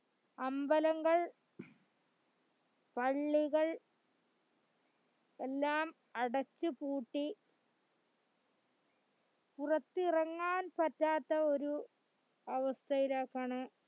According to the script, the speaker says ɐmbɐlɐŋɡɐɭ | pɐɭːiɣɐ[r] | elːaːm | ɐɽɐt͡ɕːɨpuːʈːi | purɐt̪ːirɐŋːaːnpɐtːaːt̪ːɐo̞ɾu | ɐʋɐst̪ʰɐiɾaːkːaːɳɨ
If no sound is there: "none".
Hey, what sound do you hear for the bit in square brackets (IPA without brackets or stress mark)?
ɭ